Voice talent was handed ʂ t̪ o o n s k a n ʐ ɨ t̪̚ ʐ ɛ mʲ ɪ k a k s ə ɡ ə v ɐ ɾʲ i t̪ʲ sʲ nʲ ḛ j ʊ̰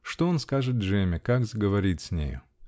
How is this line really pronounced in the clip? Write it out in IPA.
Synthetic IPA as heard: ʂ t̪ o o n s k a ʐ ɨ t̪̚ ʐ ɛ mʲ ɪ k a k z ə ɡ ə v ɐ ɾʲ i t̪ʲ sʲ nʲ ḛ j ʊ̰